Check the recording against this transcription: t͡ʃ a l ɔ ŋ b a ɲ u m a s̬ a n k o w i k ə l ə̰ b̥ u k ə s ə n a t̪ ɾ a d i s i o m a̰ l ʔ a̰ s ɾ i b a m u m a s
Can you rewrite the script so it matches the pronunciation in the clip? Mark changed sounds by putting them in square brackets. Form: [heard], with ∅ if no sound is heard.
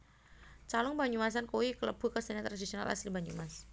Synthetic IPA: t͡ʃ a l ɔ ŋ b a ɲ u m a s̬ a n k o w i k ə l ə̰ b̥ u k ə s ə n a t̪ ɾ a d i s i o [n] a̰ l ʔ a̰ s [l] i b a [ɲ] u m a s

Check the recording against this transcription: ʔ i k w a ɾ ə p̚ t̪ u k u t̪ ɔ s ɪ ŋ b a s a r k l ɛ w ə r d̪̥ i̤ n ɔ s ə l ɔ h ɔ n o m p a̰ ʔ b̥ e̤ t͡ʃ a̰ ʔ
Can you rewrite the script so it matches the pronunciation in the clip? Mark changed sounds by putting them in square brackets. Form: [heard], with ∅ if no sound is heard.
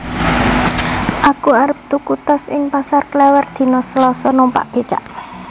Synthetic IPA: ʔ [a] k [u] a ɾ ə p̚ t̪ u k u t̪ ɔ s ɪ ŋ [p] a s a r k l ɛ w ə r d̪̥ i̤ n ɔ s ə l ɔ [s] ɔ n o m p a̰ ʔ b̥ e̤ t͡ʃ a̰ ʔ

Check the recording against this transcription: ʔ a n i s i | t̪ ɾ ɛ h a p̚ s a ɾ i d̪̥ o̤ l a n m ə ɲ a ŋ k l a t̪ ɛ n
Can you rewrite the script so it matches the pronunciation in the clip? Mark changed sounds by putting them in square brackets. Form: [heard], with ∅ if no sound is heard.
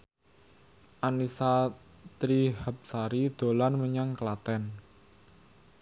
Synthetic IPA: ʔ a n i s [a] | t̪ ɾ [i] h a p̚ s a ɾ i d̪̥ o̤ l a n m ə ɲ a ŋ k l a t̪ ɛ n

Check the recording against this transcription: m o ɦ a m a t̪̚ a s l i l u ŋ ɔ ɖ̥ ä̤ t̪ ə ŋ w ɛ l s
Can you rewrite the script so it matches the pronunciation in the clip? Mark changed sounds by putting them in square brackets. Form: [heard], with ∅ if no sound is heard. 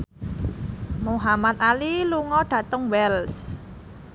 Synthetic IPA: m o ɦ a m a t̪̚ a [∅] l i l u ŋ ɔ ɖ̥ ä̤ t̪ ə ŋ w ɛ l s

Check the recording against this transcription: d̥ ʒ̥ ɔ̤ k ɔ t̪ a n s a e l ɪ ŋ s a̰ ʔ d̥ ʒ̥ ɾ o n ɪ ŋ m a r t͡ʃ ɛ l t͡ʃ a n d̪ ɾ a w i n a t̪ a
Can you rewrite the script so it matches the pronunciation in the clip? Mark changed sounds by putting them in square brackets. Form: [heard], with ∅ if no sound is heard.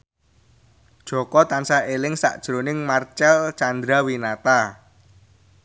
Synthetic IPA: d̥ ʒ̥ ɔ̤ k ɔ t̪ a n s a e l ɪ ŋ s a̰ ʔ d̥ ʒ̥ ɾ o n ɪ ŋ m a r t͡ʃ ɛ l t͡ʃ a n d̪ ɾ a w i n a t̪ a

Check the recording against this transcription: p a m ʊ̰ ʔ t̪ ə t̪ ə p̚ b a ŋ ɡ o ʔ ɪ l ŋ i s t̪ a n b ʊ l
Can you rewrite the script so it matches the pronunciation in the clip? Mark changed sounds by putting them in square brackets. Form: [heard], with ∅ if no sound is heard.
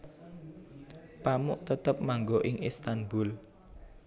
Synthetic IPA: p a m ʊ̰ ʔ t̪ ə t̪ ə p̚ [m] a ŋ ɡ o ʔ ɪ [∅] ŋ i s t̪ a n b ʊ l

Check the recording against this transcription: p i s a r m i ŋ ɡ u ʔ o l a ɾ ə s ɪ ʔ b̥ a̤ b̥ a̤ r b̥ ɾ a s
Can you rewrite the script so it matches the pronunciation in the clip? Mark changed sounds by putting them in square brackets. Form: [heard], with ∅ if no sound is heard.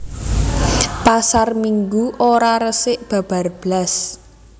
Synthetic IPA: p [a] s a r m i ŋ ɡ u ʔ o [ɾ] a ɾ ə s ɪ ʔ b̥ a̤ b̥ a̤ r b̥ [l] a s

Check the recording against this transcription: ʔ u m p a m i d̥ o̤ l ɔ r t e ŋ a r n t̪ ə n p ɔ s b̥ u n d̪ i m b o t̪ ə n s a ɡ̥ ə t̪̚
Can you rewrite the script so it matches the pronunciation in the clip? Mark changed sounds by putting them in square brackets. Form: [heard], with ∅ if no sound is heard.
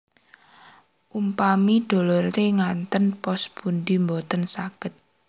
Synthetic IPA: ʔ u m p a m i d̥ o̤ l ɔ r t e ŋ a [∅] n t̪ ə n p ɔ s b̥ u n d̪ i m b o t̪ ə n s a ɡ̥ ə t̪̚

